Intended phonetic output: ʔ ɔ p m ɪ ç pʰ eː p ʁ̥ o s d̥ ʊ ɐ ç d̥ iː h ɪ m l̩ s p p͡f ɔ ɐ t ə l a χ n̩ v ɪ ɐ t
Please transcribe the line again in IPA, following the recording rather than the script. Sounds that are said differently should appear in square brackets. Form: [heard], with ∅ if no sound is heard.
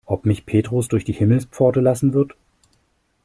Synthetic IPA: ʔ ɔ p m ɪ ç pʰ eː [t] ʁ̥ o s d̥ ʊ ɐ ç d̥ iː h ɪ m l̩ s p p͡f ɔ ɐ t ə l a [s] n̩ v ɪ ɐ t